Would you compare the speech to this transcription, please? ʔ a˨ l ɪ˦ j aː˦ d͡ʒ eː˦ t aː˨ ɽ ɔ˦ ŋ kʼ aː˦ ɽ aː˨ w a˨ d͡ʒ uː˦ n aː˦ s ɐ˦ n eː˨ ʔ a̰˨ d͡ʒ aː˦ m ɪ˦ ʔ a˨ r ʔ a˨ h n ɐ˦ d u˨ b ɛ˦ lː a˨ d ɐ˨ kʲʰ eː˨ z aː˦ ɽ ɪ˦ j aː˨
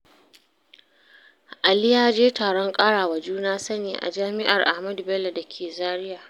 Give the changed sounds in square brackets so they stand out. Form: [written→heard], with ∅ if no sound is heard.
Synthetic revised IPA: ʔ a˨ l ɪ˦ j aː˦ d͡ʒ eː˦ t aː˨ ɽ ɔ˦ ŋ kʼ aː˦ ɽ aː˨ w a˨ d͡ʒ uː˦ n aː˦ s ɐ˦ n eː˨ ʔ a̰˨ d͡ʒ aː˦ m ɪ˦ ʔ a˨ r ʔ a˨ h [n→m] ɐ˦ d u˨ b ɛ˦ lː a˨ d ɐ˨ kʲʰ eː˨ z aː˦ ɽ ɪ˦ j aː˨